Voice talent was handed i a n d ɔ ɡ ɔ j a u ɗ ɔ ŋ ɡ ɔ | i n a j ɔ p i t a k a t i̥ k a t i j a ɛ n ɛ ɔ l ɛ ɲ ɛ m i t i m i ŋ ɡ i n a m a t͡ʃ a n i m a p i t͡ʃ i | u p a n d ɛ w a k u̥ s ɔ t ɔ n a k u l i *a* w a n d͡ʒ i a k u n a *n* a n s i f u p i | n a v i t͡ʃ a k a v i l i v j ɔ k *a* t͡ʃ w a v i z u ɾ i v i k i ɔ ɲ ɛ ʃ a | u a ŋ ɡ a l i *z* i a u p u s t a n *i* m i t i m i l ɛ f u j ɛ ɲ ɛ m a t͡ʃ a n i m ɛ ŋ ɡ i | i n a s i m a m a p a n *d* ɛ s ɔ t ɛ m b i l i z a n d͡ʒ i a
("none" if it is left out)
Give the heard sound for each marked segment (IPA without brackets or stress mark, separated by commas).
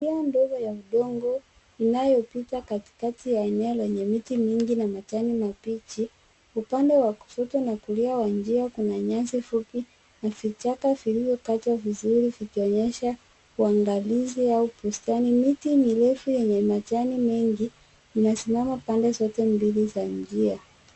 a, ɲ, a, z, i, d